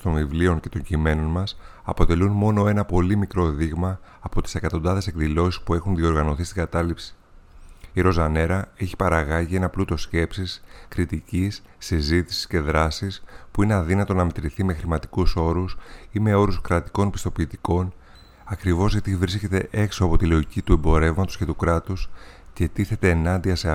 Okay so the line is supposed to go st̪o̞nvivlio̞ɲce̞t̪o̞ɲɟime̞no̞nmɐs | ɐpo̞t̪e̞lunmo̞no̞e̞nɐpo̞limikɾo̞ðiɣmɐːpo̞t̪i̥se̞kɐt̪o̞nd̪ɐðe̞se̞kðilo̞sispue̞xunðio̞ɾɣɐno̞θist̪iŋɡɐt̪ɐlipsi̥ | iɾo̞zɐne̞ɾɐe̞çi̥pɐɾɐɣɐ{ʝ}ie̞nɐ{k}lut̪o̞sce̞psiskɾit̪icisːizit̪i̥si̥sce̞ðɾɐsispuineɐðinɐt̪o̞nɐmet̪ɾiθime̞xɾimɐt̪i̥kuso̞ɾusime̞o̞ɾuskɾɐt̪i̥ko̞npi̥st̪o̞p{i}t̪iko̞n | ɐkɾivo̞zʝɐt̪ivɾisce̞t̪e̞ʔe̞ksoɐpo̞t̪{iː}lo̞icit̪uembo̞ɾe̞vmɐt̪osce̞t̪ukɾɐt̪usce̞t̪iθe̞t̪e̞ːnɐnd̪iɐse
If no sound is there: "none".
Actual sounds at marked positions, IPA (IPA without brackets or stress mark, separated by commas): ʝ, p, iː, i